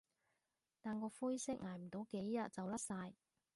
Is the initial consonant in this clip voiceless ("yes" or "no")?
yes